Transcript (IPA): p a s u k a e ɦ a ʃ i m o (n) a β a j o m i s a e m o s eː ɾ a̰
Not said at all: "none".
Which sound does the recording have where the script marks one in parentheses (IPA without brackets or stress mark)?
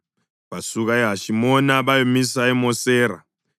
n